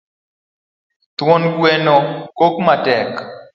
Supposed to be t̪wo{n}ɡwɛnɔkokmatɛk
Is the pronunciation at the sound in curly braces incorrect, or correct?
correct